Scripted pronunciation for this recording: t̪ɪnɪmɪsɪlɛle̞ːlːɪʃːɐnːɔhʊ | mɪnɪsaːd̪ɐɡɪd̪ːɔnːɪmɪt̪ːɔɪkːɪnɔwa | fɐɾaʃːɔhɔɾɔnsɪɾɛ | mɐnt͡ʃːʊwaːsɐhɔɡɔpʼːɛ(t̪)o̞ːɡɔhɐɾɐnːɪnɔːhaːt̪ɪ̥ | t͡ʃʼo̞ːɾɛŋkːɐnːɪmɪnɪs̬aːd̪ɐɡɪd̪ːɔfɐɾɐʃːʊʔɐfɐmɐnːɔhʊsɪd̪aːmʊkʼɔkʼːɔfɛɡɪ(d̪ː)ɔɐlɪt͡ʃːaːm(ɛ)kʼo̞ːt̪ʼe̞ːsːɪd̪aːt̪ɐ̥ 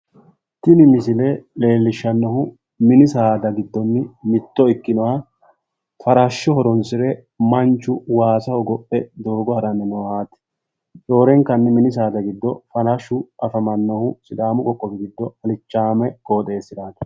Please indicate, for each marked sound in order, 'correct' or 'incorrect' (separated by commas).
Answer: incorrect, correct, correct